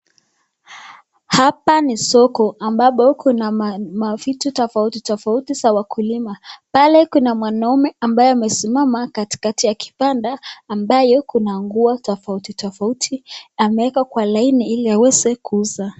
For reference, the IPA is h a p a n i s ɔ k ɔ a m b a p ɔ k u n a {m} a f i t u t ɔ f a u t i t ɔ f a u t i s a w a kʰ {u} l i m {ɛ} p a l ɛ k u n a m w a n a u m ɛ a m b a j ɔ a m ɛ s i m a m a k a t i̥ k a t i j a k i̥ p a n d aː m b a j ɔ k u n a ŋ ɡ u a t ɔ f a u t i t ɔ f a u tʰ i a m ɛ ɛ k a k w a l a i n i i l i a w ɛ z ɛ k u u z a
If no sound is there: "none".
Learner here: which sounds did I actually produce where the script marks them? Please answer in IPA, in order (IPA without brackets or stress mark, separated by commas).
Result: m, u, a